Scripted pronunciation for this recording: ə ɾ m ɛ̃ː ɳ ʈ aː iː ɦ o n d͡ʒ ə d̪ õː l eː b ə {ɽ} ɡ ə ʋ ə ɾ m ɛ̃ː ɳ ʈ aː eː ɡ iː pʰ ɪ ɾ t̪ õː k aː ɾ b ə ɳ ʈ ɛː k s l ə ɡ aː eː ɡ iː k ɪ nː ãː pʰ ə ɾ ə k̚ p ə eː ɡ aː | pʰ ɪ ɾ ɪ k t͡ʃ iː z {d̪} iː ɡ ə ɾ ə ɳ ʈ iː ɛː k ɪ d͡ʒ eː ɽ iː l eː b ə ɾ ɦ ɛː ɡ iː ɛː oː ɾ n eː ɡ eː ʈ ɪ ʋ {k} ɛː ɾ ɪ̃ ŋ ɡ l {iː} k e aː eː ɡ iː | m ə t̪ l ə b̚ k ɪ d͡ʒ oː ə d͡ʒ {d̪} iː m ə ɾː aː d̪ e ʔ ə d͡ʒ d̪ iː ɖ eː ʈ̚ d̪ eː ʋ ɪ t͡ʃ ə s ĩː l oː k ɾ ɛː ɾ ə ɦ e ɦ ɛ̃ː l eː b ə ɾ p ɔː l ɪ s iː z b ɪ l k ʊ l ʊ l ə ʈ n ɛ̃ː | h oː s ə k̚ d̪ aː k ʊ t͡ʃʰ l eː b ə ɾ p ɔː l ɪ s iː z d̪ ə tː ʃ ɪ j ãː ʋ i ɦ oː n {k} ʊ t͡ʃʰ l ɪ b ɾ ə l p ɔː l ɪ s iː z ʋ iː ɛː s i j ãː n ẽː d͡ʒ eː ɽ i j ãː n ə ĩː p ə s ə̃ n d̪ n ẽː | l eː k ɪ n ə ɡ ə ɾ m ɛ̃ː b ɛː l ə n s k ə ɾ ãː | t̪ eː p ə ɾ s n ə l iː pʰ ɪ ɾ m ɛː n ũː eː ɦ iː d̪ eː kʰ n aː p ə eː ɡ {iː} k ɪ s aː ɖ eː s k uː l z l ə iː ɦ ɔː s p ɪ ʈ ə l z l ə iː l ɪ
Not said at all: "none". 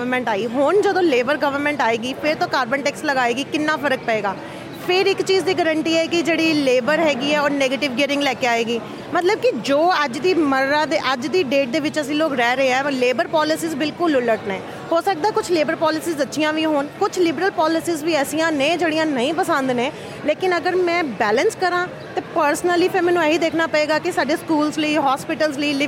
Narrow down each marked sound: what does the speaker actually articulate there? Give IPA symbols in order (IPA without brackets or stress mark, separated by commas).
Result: ɾ, d̪, ɡ, ɛː, d̪, k, aː